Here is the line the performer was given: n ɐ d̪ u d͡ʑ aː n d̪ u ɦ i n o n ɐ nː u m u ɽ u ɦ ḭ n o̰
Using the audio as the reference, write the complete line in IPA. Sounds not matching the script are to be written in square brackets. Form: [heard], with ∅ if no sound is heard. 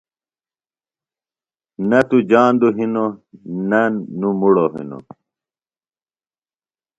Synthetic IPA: n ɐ [t̪] u d͡ʑ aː n d̪ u ɦ i n o n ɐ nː u m u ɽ [o] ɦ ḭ n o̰